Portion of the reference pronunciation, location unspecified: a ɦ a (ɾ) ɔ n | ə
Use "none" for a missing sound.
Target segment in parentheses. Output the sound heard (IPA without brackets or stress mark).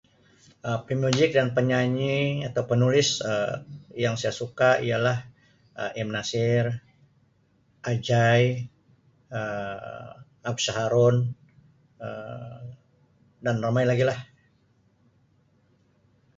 ɾ